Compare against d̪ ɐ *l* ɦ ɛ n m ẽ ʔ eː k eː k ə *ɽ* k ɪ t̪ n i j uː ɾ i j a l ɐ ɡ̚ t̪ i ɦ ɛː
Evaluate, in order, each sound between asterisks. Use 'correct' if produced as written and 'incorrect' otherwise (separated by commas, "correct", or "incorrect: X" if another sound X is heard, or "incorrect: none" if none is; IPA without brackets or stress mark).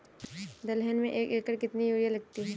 correct, incorrect: ɾ